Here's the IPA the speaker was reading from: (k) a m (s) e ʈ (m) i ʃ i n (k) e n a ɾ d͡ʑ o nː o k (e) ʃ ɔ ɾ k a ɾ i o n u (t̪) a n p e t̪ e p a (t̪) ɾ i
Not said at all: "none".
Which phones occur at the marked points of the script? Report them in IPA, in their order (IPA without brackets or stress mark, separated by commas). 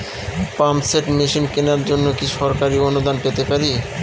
p, s, m, k, i, d̪, none